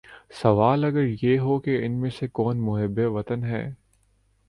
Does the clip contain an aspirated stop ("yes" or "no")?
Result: no